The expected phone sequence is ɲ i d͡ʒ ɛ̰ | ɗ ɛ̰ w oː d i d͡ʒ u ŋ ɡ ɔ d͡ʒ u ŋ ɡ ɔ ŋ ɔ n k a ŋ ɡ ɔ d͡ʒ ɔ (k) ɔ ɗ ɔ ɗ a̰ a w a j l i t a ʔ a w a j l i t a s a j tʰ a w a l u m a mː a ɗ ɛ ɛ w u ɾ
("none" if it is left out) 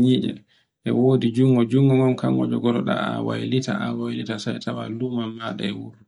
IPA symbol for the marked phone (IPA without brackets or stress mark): ɡ